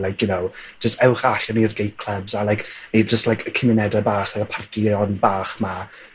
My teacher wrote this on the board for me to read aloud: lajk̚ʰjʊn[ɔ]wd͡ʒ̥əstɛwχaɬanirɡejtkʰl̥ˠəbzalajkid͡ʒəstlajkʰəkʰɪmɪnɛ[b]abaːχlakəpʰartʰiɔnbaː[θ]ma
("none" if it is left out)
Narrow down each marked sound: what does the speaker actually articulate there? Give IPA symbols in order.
o, d, χ

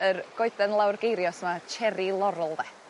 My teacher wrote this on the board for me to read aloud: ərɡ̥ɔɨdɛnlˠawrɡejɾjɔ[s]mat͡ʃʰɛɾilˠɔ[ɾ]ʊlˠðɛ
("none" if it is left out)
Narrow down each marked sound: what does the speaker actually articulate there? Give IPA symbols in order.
s, ɾ

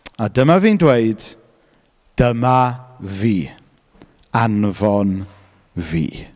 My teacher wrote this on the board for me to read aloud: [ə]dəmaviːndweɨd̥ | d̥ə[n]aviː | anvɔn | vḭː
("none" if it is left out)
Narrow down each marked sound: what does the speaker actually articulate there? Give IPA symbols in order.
a, m

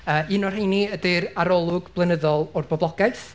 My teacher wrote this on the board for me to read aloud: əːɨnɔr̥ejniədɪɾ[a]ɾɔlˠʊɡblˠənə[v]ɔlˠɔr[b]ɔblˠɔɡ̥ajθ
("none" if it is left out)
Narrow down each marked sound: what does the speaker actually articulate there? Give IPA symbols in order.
a, ð, b

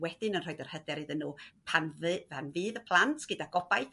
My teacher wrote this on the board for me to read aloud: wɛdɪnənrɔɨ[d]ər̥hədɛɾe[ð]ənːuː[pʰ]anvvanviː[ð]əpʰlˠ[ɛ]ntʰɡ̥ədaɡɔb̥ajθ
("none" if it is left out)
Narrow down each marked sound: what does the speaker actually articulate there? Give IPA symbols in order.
d, ð, pʰ, ð, a

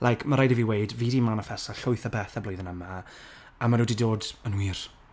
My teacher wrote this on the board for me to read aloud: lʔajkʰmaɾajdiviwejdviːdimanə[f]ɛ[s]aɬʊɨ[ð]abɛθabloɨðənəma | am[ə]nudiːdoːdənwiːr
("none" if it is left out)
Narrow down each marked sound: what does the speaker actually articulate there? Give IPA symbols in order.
f, s, θ, a

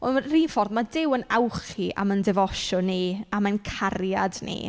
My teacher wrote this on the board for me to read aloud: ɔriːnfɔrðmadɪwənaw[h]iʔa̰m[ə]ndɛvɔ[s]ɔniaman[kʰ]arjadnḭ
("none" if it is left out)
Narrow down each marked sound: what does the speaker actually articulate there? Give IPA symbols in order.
χ, ə, ʃ, kʰ

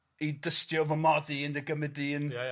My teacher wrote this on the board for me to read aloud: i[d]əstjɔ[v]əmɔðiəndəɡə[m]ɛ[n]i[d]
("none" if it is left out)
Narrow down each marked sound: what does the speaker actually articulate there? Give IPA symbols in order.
d, v, m, d, n

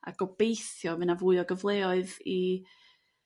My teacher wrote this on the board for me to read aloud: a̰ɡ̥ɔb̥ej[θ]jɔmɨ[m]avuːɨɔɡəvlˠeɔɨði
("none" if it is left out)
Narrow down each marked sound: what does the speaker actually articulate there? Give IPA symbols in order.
θ, n

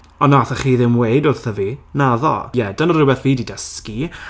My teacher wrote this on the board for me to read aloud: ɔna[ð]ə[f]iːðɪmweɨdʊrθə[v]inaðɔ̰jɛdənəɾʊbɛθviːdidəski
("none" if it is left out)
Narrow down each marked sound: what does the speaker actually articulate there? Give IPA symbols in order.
θ, χ, v

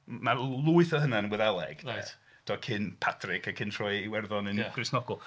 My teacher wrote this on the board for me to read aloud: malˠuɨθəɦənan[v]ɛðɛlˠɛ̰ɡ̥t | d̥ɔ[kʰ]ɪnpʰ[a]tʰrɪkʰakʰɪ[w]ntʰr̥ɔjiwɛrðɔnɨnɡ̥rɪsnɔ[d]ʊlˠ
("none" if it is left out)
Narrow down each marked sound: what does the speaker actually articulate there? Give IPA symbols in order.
w, kʰ, a, none, ɡ

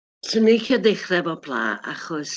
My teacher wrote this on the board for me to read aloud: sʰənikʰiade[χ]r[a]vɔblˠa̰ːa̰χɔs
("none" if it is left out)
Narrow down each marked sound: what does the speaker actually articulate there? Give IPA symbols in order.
χ, ɛ

